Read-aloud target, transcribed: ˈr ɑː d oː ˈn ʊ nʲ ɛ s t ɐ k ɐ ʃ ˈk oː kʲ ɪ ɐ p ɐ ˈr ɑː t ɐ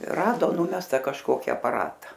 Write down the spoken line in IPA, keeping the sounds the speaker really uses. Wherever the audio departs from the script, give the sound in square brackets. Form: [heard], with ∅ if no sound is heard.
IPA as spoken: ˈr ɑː d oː ˈn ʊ [mʲ] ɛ s t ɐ k ɐ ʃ ˈk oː kʲ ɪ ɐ p ɐ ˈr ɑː t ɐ